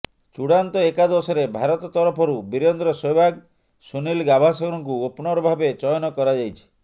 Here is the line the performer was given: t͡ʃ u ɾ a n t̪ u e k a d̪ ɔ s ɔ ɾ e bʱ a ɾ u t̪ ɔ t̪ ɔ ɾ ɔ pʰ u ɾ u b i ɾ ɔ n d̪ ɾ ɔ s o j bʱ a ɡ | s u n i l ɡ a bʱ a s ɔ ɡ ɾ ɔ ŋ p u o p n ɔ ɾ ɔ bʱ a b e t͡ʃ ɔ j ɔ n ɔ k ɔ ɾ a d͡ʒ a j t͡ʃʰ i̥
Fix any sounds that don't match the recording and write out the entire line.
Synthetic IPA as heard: t͡ʃ u ɽ a n t̪ ɔ e k a d̪ ɔ s ɔ ɾ e bʱ a ɾ ɔ t̪ ɔ t̪ ɔ ɾ ɔ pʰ ɔ ɾ u b i ɾ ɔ n d̪ ɾ ɔ s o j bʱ a ɡ | s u n i l ɡ a bʱ a s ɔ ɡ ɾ ɔ ŋ k u o p n ɔ ɾ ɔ bʱ a b e t͡ʃ ɔ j ɔ n ɔ k ɔ ɾ a d͡ʒ a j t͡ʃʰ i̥